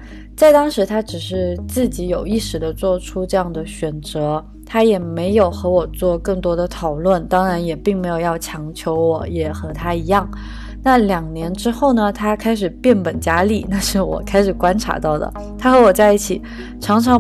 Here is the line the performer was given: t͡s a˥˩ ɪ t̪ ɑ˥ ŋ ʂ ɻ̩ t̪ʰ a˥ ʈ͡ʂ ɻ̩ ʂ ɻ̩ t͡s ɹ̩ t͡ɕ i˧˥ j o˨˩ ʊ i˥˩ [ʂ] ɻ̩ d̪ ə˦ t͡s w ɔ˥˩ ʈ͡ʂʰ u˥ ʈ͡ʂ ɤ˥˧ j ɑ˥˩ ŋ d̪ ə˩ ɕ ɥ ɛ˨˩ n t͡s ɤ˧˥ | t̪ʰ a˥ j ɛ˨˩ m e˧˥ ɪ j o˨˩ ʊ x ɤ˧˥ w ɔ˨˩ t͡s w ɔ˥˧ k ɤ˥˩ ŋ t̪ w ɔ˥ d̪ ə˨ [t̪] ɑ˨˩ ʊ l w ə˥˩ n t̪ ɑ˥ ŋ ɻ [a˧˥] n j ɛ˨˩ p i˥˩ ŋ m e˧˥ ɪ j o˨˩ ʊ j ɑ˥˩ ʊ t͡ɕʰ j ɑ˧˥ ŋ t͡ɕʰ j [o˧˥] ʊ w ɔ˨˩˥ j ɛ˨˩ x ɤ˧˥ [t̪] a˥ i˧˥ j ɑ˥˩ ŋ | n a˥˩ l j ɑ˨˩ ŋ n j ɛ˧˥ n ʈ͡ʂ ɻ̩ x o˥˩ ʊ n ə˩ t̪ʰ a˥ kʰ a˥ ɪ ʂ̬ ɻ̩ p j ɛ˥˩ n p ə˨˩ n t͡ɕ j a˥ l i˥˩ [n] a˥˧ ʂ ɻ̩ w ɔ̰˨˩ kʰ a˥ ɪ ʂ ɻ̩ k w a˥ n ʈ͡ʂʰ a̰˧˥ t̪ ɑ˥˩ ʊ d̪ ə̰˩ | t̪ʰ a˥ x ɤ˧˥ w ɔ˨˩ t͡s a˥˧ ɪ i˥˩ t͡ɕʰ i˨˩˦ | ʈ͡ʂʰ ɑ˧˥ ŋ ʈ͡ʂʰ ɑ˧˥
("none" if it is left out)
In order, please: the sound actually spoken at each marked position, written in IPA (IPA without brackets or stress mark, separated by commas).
ʂ, t̪ʰ, a˧˥, o˧˥, t̪ʰ, n